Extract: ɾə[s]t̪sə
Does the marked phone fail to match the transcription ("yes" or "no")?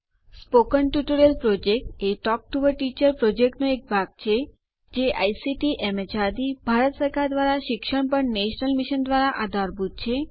yes